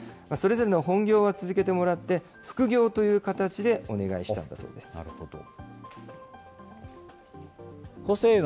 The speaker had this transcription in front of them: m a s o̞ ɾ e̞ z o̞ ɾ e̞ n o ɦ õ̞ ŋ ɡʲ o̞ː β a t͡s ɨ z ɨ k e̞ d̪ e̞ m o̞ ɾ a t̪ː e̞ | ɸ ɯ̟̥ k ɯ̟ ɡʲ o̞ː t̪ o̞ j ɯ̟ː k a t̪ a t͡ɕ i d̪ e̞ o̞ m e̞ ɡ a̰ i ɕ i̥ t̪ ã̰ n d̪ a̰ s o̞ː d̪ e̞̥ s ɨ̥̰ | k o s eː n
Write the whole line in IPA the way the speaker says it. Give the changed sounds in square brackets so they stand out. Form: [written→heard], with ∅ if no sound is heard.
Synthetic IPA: m a s o̞ ɾ e̞ z o̞ ɾ e̞ n o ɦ õ̞ ŋ ɡʲ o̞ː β a t͡s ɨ z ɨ k e̞ [d̪→t̪] e̞ m o̞ ɾ a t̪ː e̞ | ɸ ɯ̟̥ k ɯ̟ ɡʲ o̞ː t̪ o̞ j ɯ̟ː k a t̪ a t͡ɕ i d̪ e̞ o̞ [m→n] e̞ ɡ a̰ i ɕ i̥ t̪ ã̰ n d̪ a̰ s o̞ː d̪ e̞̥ s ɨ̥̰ | k o s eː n

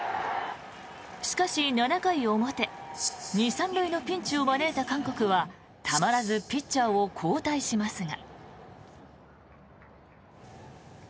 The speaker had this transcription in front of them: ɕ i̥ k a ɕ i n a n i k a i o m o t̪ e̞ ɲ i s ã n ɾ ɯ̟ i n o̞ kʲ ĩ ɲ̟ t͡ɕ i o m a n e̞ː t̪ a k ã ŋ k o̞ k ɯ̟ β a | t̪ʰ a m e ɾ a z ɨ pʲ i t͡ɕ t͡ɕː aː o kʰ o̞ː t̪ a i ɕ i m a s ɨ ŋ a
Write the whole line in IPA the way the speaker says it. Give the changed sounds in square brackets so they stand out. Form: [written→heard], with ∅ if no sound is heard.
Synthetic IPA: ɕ i̥ k a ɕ i n a n [i→a] k a i o m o t̪ e̞ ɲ i s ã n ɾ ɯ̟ i n o̞ [kʲ→pʲ] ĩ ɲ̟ t͡ɕ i o m a n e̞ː t̪ a k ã ŋ k o̞ k ɯ̟ β a | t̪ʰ a m [e→a] ɾ a z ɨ pʲ i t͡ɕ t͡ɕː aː o kʰ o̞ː t̪ a i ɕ i m a s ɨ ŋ a

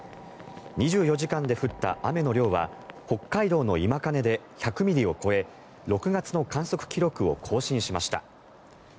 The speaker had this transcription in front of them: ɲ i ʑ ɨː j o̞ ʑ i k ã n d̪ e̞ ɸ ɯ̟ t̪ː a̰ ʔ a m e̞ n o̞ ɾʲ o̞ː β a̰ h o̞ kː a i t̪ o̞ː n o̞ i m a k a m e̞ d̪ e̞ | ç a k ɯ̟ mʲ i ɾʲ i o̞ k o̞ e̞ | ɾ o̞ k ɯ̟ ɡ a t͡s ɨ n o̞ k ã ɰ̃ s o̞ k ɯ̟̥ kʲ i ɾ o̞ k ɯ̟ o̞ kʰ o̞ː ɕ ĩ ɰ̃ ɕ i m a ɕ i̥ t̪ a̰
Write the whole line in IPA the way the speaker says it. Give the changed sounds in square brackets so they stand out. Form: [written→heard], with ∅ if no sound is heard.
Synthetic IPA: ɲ i ʑ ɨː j o̞ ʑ i k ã n d̪ e̞ ɸ ɯ̟ t̪ː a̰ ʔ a m e̞ n o̞ ɾʲ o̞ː β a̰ h o̞ kː a i [t̪→d̪] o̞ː n o̞ i m a k a [m→n] e̞ d̪ e̞ | ç a k ɯ̟ mʲ i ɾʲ i o̞ k o̞ e̞ | ɾ o̞ k ɯ̟ ɡ a t͡s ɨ n o̞ k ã ɰ̃ s o̞ k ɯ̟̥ kʲ i ɾ o̞ k ɯ̟ o̞ kʰ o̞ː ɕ ĩ ɰ̃ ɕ i m a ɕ i̥ t̪ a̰

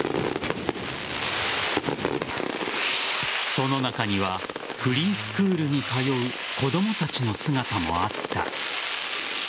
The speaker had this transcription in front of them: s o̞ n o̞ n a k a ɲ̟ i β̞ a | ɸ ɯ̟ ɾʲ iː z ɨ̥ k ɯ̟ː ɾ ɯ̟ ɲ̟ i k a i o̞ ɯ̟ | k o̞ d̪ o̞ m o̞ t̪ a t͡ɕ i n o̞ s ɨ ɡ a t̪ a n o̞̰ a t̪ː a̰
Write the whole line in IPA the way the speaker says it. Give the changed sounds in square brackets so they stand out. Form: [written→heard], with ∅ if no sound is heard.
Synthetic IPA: s o̞ n o̞ n a k a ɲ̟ i β̞ a | ɸ ɯ̟ ɾʲ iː [z→s] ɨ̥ k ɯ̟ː ɾ ɯ̟ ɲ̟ i k a [i→j] o̞ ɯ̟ | k o̞ d̪ o̞ m o̞ t̪ a t͡ɕ i n o̞ s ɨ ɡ a t̪ a [n→m] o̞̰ a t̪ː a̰

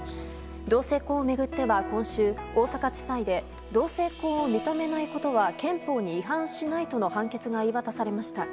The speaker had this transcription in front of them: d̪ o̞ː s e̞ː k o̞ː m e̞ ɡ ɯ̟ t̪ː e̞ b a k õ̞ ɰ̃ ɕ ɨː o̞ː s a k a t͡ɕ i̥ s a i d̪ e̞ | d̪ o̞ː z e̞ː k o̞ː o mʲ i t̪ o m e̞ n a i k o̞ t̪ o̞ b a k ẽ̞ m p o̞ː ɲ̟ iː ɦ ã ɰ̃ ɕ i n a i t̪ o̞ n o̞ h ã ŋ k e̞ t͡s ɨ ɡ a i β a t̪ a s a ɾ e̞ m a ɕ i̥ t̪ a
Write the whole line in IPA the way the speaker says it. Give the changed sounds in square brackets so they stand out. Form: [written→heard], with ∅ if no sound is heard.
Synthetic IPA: d̪ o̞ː s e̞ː k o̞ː m e̞ ɡ ɯ̟ t̪ː e̞ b a k õ̞ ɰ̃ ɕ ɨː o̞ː s a k a t͡ɕ i̥ s a i d̪ e̞ | d̪ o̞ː [z→s] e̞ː k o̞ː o mʲ i t̪ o m e̞ n a i k o̞ t̪ o̞ [b→β] a k ẽ̞ m p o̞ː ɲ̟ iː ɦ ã ɰ̃ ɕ i n a i t̪ o̞ n o̞ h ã ŋ k e̞ t͡s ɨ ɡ a i β a t̪ a s a ɾ e̞ m a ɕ i̥ t̪ a

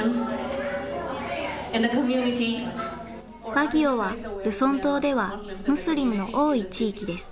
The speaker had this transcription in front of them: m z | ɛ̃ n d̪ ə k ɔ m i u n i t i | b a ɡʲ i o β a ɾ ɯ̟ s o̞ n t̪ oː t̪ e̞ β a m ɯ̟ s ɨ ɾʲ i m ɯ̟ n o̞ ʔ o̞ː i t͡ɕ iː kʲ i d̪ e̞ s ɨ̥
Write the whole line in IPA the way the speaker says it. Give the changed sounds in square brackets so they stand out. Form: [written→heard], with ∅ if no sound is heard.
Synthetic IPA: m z | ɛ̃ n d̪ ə k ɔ m [i→j] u n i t i | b a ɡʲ i o β a ɾ ɯ̟ s [o̞→õ̞] n t̪ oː [t̪→d̪] e̞ β a m ɯ̟ s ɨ ɾʲ i m ɯ̟ n o̞ ʔ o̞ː i t͡ɕ iː kʲ i d̪ e̞ s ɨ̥

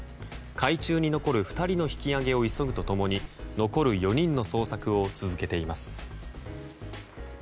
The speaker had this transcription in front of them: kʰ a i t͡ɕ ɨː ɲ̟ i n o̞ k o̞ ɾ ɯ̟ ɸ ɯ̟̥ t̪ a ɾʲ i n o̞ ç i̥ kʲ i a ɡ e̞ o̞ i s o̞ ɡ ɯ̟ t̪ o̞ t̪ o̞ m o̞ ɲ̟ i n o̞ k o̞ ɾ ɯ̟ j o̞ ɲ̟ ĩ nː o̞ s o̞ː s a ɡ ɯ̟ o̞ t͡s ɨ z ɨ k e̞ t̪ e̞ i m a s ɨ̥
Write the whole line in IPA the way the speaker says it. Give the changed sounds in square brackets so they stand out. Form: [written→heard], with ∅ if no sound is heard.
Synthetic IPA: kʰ a i t͡ɕ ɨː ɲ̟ i n o̞ k o̞ ɾ ɯ̟ ɸ ɯ̟̥ t̪ a ɾʲ i n o̞ ç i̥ kʲ i a ɡ e̞ o̞ i s o̞ ɡ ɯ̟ t̪ o̞ t̪ o̞ m o̞ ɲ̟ i n o̞ k o̞ ɾ ɯ̟ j o̞ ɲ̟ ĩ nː o̞ s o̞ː s a [ɡ→k] ɯ̟ o̞ t͡s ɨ z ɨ k e̞ t̪ e̞ i m a s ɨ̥

